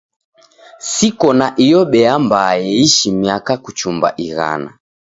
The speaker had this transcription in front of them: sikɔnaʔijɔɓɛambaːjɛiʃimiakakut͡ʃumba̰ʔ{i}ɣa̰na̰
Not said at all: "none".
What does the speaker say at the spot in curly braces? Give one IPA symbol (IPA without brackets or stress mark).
i